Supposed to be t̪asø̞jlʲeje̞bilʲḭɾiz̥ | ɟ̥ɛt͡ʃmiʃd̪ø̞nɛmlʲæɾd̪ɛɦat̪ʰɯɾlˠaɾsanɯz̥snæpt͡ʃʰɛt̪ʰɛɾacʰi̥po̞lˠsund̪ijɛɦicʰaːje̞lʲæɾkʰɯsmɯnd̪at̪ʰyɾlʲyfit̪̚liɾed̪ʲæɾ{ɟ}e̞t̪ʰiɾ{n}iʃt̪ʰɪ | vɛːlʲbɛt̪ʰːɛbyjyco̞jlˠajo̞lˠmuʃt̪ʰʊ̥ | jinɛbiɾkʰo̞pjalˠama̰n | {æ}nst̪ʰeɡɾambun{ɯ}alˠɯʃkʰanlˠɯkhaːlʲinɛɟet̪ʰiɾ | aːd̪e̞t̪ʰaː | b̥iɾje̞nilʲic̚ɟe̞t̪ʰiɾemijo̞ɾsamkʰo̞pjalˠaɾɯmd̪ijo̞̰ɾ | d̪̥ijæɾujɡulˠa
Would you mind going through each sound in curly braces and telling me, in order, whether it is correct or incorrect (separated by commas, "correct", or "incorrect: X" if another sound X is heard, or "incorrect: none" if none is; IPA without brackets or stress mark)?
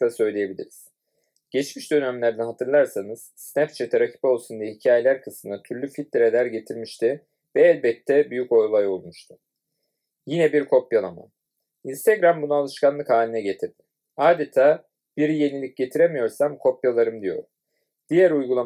correct, incorrect: m, incorrect: i, incorrect: u